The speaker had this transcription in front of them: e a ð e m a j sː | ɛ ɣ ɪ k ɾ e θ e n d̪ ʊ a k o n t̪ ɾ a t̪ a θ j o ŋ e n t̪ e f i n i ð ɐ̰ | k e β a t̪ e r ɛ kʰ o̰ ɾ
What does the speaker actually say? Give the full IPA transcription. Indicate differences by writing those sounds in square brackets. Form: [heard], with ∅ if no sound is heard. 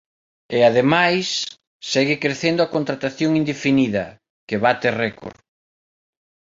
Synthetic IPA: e a ð e m a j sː | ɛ ɣ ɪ k ɾ e θ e n d̪ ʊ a k o n t̪ ɾ a t̪ a θ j o ŋ [i] n [d̪] e f i n i ð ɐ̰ | k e β a t̪ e r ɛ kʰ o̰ ɾ